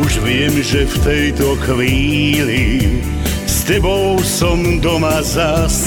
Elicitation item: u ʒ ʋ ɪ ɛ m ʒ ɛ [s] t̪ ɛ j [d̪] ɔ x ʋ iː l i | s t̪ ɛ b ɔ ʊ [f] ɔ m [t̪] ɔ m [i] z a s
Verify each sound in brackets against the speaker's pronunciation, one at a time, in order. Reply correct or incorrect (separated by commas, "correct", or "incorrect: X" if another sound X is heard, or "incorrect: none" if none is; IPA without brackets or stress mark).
incorrect: f, incorrect: t̪, incorrect: s, incorrect: d̪, incorrect: a